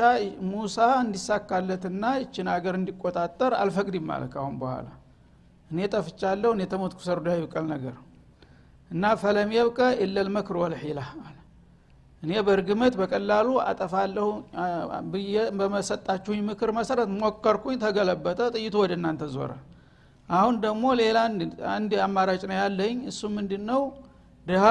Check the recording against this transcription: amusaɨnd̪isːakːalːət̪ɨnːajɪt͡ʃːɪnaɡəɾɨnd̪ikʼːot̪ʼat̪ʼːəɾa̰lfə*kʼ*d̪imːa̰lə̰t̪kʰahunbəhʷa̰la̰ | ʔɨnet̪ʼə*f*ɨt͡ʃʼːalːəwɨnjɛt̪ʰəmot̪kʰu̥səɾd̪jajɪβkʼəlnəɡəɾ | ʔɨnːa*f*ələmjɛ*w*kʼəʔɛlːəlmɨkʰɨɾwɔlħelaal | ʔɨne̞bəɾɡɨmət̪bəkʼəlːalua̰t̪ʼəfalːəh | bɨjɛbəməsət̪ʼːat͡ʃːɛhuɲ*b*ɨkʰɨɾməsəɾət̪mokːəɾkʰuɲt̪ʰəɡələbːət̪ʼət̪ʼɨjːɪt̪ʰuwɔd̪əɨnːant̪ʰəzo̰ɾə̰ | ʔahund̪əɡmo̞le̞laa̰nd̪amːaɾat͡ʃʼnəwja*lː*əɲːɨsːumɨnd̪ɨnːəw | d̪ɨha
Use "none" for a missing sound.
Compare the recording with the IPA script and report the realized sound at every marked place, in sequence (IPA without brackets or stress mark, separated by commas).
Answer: kʼ, f, f, β, m, lː